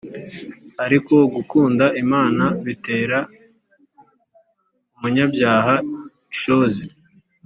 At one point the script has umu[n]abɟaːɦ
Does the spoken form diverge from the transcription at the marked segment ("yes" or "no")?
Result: yes